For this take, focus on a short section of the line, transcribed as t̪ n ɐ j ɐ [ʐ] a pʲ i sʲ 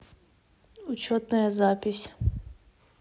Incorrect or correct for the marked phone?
incorrect: z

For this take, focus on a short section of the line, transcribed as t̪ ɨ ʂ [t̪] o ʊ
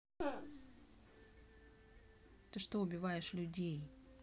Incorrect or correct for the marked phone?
correct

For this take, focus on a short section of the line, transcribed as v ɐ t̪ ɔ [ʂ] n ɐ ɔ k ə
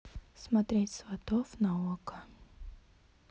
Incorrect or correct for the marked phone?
incorrect: f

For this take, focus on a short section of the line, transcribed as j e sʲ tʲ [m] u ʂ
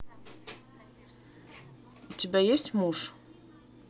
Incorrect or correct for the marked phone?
correct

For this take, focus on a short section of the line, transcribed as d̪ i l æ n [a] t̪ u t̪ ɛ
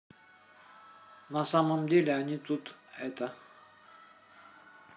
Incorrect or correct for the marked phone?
incorrect: i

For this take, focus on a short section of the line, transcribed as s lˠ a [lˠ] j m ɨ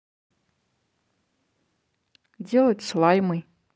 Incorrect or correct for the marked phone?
incorrect: none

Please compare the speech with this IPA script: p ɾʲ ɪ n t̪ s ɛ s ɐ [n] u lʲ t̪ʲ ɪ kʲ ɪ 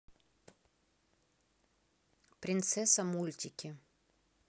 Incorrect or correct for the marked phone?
incorrect: m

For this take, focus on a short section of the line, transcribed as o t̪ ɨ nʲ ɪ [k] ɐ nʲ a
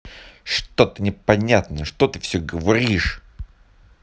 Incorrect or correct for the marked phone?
incorrect: p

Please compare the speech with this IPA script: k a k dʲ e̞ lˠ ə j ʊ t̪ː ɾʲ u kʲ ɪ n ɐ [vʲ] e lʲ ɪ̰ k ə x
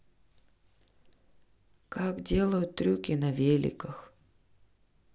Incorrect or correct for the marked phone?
correct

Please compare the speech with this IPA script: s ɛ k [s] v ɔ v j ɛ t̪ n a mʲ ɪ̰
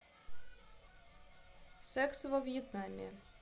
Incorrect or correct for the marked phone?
correct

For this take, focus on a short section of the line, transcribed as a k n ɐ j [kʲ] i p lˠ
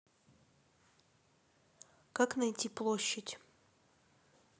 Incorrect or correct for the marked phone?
incorrect: tʲ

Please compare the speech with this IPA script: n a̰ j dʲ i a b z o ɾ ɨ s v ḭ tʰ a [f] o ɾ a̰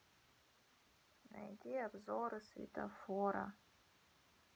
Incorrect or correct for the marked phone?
correct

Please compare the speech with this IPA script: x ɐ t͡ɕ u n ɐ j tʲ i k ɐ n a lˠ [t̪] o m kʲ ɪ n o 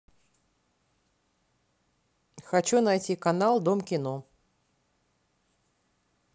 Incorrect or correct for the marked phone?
incorrect: d̪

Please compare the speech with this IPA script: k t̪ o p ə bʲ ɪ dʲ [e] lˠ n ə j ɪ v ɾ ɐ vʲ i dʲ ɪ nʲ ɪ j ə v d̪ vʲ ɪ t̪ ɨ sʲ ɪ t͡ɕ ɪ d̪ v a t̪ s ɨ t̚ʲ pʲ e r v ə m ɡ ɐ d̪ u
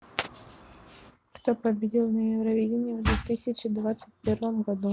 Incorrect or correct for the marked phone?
incorrect: i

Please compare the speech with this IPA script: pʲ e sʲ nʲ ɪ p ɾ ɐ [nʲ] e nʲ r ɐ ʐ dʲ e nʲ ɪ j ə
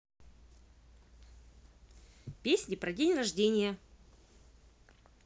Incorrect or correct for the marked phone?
incorrect: dʲ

